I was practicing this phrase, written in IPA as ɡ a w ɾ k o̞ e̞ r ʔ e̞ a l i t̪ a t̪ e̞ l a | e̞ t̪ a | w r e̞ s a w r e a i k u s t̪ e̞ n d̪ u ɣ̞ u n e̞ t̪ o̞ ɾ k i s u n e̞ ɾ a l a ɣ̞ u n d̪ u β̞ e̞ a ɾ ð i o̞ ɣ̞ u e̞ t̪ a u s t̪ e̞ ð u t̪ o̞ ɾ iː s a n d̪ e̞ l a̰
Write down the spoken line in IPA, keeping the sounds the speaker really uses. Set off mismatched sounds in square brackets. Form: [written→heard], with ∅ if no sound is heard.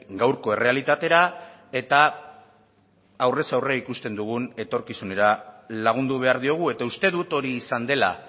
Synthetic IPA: ɡ a w ɾ k o̞ e̞ r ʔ e̞ a l i t̪ a t̪ e̞ [l→ɾ] a | e̞ t̪ a | w r e̞ s a w r e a i k u s t̪ e̞ n d̪ u ɣ̞ u n e̞ t̪ o̞ ɾ k i s u n e̞ ɾ a l a ɣ̞ u n d̪ u β̞ e̞ a ɾ ð i o̞ ɣ̞ u e̞ t̪ a u s t̪ e̞ ð u t̪ o̞ ɾ iː s a n d̪ e̞ l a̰